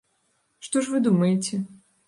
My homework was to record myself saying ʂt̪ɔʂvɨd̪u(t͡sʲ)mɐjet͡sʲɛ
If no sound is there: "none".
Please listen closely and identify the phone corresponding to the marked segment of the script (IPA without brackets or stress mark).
none